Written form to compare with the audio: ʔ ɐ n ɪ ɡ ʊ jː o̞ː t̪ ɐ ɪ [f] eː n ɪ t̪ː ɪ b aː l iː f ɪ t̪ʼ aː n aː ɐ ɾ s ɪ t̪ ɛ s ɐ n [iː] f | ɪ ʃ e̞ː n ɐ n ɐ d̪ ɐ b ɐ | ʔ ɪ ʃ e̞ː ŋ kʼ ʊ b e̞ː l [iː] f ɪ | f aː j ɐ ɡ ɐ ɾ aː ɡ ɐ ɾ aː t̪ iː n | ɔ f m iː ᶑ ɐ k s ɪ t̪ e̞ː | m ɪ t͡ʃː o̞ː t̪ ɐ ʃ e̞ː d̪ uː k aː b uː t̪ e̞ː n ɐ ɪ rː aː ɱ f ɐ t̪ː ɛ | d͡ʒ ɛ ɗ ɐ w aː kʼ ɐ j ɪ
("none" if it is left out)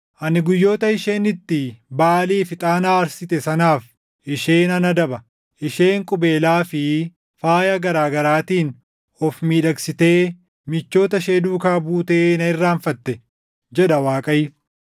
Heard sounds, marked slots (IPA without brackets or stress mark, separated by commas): ʃ, aː, aː